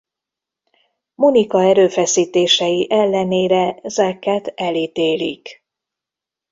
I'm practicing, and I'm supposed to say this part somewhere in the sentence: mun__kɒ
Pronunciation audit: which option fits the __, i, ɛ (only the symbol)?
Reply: i